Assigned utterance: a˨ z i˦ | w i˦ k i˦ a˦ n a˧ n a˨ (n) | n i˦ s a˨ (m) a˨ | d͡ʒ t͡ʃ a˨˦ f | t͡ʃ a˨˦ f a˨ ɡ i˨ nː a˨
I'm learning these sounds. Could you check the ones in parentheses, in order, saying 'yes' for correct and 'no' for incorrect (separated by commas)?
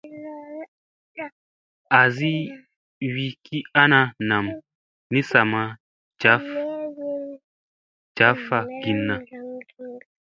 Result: no, yes